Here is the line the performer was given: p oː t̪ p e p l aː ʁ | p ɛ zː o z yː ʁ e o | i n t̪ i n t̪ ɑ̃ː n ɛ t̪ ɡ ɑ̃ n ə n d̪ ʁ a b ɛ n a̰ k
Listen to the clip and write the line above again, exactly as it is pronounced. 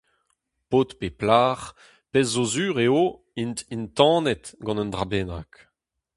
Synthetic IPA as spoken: p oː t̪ p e p l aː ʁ | p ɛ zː o z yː ʁ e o | i n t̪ i n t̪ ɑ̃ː n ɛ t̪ ɡ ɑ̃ n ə n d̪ ʁ a b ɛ n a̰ k

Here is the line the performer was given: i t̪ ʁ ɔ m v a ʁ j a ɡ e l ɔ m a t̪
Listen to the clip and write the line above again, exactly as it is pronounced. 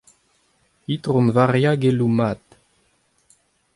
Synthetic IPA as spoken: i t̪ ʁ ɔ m v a ʁ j a ɡ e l u m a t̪

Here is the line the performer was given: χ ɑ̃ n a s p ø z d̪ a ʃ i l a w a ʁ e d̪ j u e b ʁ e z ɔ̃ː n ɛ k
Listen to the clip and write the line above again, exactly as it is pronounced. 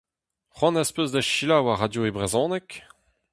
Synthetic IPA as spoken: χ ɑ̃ n a s p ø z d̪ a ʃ i l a w a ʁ a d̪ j o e b ʁ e z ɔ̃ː n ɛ k

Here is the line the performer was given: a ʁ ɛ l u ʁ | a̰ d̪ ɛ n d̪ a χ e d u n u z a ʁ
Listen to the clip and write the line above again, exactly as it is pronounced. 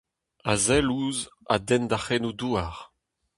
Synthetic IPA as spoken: a z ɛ l u z | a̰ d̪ ɛ n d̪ a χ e n u d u a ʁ

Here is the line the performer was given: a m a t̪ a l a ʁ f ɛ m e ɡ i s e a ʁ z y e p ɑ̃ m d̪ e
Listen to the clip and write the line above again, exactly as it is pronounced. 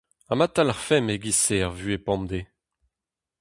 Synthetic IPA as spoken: a m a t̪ a l a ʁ f ɛ m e ɡ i s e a ʁ v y e p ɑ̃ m d̪ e

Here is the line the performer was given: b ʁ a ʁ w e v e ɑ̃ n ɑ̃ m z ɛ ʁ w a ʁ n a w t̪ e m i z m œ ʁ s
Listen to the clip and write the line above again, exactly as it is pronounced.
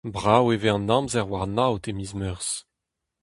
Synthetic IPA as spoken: b ʁ a w e v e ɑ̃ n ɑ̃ m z ɛ ʁ w a ʁ n a w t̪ e m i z m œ ʁ s

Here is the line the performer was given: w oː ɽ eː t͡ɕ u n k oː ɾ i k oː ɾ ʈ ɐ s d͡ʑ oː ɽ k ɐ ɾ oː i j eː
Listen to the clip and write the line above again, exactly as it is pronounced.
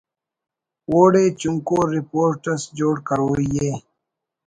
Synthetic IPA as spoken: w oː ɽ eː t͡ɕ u ŋ k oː ɾ i p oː ɾ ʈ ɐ s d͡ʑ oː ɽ k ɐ ɾ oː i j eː

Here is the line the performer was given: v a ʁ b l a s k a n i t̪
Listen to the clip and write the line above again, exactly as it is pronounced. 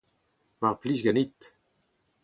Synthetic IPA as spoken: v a ʁ p l i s ɡ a n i t̪

